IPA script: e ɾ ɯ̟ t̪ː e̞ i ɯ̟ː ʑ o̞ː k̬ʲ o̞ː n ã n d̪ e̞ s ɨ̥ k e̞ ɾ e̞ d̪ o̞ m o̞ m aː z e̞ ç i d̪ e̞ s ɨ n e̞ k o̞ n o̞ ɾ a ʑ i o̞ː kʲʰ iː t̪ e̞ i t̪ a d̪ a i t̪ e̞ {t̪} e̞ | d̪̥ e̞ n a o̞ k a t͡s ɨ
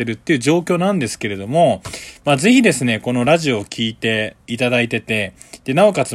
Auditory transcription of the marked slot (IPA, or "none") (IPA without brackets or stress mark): t̪